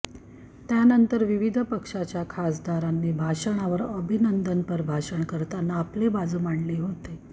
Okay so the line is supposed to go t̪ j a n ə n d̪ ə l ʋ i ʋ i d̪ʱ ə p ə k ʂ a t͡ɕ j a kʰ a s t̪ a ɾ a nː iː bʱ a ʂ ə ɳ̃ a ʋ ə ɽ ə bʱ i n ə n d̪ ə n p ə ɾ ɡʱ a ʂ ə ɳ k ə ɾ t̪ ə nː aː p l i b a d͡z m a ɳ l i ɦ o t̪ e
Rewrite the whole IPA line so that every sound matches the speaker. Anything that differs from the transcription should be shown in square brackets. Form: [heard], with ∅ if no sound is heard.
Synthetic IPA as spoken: t̪ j a n ə n [t̪] ə [ɾ] ʋ i ʋ i d̪ʱ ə p ə k ʂ a t͡ɕ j a kʰ a s [d̪] a ɾ a nː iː bʱ a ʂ ə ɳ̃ a ʋ ə [ɾ] ə bʱ i n ə n d̪ ə n p ə ɾ [bʱ] a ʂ ə ɳ k ə ɾ t̪ [a] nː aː p l [e] b a d͡z m a ɳ l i ɦ o t̪ e